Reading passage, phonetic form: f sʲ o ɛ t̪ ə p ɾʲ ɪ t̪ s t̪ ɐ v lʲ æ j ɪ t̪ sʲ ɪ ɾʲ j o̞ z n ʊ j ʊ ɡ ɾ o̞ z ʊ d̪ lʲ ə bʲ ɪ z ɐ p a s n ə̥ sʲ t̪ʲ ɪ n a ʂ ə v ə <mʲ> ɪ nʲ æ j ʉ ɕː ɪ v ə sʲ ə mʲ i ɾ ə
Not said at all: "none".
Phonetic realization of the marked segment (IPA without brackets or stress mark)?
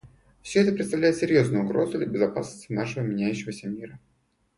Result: mʲ